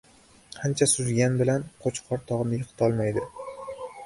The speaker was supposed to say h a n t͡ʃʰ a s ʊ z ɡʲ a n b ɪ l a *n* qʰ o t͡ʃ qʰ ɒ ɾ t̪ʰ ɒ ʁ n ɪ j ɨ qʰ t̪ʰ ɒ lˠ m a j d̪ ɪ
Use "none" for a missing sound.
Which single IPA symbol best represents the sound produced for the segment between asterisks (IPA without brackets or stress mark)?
n